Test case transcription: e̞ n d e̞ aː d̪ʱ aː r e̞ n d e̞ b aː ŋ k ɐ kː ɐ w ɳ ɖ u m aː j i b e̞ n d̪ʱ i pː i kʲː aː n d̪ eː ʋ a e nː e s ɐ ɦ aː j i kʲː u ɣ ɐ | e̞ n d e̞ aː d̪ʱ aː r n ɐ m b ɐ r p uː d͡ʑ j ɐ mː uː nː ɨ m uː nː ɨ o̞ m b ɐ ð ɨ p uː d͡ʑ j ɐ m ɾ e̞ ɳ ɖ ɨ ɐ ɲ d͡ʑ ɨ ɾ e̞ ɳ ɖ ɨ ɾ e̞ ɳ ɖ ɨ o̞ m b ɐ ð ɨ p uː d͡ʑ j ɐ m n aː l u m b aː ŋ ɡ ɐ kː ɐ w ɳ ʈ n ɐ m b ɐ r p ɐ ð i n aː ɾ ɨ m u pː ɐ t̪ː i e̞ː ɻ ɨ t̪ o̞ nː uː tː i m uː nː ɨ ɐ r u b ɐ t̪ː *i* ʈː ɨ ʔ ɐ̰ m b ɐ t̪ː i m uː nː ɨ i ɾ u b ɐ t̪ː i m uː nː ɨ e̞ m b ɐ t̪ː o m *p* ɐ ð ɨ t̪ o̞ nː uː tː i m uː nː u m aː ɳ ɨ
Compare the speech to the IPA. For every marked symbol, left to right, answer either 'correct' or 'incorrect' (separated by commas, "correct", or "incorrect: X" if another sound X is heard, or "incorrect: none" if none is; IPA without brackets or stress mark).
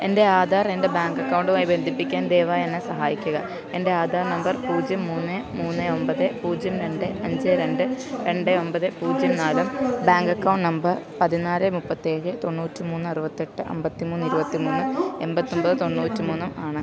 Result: incorrect: e, incorrect: b